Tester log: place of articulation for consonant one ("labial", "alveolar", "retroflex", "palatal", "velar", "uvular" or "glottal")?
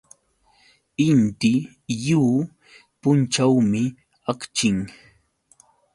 alveolar